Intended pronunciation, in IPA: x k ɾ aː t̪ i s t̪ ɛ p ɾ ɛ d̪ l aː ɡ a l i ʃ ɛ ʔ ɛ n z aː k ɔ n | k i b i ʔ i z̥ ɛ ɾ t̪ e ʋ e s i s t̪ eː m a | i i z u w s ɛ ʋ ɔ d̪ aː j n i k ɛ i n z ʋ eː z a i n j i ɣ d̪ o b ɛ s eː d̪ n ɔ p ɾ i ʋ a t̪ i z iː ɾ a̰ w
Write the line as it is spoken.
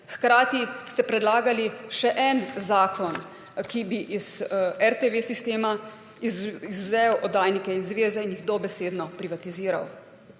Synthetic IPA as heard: x k ɾ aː t̪ i s t̪ ɛ p ɾ ɛ d̪ l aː ɡ a l i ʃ ɛ ʔ ɛ n z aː k ɔ n | k i b i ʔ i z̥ ɛ ɾ t̪ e ʋ e s i s t̪ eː m a | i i z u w z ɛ w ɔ d̪ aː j n i k ɛ i n z ʋ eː z ɛ i n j i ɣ d̪ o b ɛ s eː d̪ n ɔ p ɾ i ʋ a t̪ i z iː ɾ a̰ w

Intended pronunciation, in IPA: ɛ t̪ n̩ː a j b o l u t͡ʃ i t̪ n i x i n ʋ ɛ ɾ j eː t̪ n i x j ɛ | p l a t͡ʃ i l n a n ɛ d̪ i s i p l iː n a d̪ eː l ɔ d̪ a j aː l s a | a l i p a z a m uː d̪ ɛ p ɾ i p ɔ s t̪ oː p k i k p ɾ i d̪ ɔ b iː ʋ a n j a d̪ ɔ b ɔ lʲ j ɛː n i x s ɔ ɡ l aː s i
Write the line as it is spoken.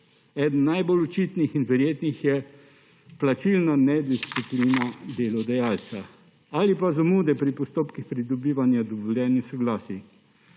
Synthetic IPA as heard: ɛ d̪ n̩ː a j b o l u t͡ʃ i t̪ n i x i n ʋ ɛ ɾ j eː t̪ n i x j ɛ | p l a t͡ʃ i l n a n ɛ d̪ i s i p l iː n a d̪ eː l ɔ d̪ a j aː l s a | a l i p a z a m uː d̪ ɛ p ɾ i p ɔ s t̪ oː p k i x p ɾ i d̪ ɔ b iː ʋ a n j a d̪ ɔ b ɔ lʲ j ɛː n i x s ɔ ɡ l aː s i

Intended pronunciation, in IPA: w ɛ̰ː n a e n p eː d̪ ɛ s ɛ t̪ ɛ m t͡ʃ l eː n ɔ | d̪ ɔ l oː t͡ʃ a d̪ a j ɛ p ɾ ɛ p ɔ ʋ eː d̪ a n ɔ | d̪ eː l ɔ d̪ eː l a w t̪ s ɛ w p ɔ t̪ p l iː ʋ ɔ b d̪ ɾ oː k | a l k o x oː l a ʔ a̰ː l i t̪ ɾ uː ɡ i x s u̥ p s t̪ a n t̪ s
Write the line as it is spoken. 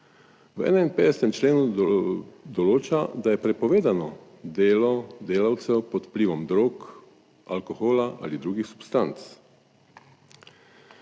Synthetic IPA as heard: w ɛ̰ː n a i n p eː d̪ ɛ s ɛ t̪ ɛ m t͡ʃ l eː n u | d̪ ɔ l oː t͡ʃ a d̪ a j ɛ p ɾ ɛ p ɔ ʋ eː d̪ a n ɔ | d̪ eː l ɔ d̪ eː l a w t̪ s ɛ w p ɔ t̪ p l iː ʋ ɔ m d̪ ɾ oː k | a l k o x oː l a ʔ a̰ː l i d̪ ɾ uː ɡ i x s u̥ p s t̪ a n t̪ s

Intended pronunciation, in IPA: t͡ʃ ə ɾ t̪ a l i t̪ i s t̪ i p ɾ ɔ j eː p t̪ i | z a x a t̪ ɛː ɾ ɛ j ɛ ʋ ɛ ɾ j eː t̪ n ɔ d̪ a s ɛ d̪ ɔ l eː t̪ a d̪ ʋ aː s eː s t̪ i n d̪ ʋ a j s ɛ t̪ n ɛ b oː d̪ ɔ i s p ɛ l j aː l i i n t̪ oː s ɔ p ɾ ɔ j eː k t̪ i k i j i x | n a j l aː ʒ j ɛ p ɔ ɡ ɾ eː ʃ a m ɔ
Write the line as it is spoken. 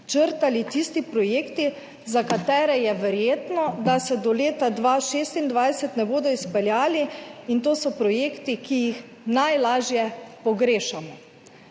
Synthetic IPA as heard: t͡ʃ ə ɾ t̪ a l i t̪ i s t̪ i p ɾ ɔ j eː k t̪ i | z a k a t̪ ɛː ɾ ɛ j ɛ ʋ ɛ ɾ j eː t̪ n ɔ d̪ a s ɛ d̪ ɔ l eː t̪ a d̪ ʋ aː ʃ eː s t̪ i n d̪ ʋ a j s ɛ t̪ n ɛ b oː d̪ ɔ i s p ɛ l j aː l i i n t̪ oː s ɔ p ɾ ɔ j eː k t̪ i k i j i x | n a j l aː ʒ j ɛ p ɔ ɡ ɾ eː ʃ a m ɔ

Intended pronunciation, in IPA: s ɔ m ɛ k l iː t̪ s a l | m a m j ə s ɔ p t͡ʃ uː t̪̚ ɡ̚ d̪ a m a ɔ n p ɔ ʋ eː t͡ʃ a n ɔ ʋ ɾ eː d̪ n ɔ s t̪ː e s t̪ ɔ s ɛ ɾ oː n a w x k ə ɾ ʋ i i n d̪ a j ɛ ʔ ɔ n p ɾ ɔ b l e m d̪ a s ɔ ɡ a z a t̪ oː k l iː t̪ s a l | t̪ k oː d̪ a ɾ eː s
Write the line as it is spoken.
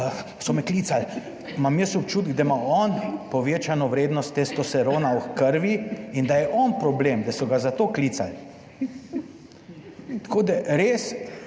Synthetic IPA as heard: s ɔ m ɛ k l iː t̪ s a l | m a m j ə s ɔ p t͡ʃ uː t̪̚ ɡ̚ d̪ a m a ɔ n p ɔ ʋ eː t͡ʃ a n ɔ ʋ ɾ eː d̪ n ɔ s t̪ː e s t̪ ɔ s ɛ ɾ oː n a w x k ə ɾ ʋ i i n d̪ a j ɛ ʔ ɔ n p ɾ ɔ b l e m d̪ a s ɔ ɡ a z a t̪ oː k l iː t̪ s a l | t̪ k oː d̪ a ɾ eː s

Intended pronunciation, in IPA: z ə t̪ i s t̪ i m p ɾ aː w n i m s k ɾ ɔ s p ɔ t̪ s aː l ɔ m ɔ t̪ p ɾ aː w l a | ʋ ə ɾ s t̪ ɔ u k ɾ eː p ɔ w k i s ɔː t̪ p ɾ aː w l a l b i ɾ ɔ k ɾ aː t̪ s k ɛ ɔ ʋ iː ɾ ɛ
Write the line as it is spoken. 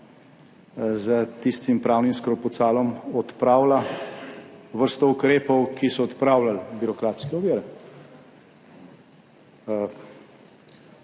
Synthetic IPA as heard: z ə t̪ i s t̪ i m p ɾ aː w n i m s k ɾ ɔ p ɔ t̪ s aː l ɔ m ɔ t̪ p ɾ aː w l a | ʋ ə ɾ s t̪ ɔ u k ɾ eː p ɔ w k i s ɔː t̪ p ɾ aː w l a l b i ɾ ɔ k ɾ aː t̪ s k ɛ ɔ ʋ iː ɾ ɛ

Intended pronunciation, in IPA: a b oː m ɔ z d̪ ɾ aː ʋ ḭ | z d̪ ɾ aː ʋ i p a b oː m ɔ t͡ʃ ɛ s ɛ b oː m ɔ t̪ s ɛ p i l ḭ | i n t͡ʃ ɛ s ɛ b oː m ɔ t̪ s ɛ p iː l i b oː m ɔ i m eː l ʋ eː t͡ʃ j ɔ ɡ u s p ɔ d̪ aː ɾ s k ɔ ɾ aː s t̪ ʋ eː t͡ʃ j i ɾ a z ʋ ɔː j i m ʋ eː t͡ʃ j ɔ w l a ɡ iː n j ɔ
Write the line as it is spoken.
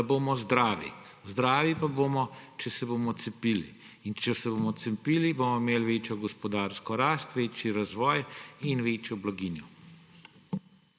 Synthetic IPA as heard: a b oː m ɔ z d̪ ɾ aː ʋ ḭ | z d̪ ɾ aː ʋ i p a b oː m ɔ t͡ʃ ɛ s ɛ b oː m ɔ t̪ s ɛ p i l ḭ | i n t͡ʃ ɛ s ɛ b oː m ɔ t̪ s ɛ p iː l i b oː m ɔ i m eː l ʋ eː t͡ʃ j ɔ ɡ ɔ s p ɔ d̪ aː ɾ s k ɔ ɾ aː s t̪ ʋ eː t͡ʃ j i ɾ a z ʋ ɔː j i n ʋ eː t͡ʃ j ɔ b l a ɡ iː n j ɔ

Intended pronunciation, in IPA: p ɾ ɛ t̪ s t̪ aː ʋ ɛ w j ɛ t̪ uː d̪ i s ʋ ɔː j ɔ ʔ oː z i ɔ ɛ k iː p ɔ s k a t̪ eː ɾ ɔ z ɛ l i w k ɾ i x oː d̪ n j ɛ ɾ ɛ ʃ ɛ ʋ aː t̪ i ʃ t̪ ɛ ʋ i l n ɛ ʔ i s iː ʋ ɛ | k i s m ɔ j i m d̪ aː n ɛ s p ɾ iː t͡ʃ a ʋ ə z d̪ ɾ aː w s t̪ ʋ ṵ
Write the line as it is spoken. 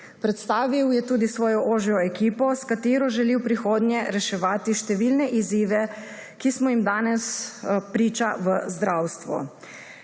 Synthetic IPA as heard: p ɾ ɛ t̪ s t̪ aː ʋ i w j ɛ t̪ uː d̪ i s ʋ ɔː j ɔ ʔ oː ʒ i ɔ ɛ k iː p ɔ s k a t̪ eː ɾ ɔ ʒ ɛ l i w p ɾ i x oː d̪ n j ɛ ɾ ɛ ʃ ɛ ʋ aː t̪ i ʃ t̪ ɛ ʋ i l n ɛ ʔ i z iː ʋ ɛ | k i s m ɔ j i m d̪ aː n ɛ s p ɾ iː t͡ʃ a ʋ ə z d̪ ɾ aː w s t̪ ʋ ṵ

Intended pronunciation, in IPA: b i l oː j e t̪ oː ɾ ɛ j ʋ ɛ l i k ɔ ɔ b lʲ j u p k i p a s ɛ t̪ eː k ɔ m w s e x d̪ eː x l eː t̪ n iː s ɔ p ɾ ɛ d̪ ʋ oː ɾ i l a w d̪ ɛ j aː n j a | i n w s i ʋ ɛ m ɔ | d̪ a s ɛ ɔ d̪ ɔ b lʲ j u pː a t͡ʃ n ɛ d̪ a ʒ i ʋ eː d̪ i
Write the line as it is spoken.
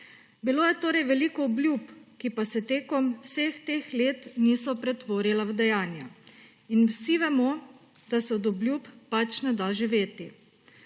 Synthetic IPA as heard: b i l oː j ɛ t̪ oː ɾ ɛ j ʋ ɛ l i k ɔ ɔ b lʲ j u p k i p a s ɛ t̪ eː k ɔ m w s e x t̪ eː x l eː t̪ n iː s ɔ p ɾ ɛ t̪ ʋ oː ɾ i l a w d̪ ɛ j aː n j a | i n w s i ʋ ɛ m ɔ | d̪ a s ɛ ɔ d̪ ɔ b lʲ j u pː a t͡ʃ n ɛ d̪ a ʒ i ʋ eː t̪ i

